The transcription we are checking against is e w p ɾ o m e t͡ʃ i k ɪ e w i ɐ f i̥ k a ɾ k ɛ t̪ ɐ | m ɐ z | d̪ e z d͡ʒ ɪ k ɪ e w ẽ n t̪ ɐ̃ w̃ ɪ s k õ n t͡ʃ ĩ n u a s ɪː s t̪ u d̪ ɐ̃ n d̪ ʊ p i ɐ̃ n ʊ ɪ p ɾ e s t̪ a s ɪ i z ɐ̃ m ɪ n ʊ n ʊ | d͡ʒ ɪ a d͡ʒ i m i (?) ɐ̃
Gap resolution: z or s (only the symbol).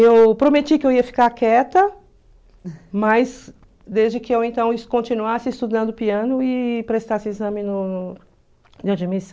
s